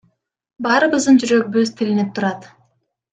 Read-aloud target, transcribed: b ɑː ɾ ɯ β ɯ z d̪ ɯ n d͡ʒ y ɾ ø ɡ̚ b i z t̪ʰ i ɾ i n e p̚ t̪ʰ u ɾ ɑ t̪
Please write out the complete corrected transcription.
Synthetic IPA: b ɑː ɾ ɯ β ɯ z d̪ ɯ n d͡ʒ y ɾ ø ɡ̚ b y z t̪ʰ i l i n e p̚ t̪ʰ u ɾ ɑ t̪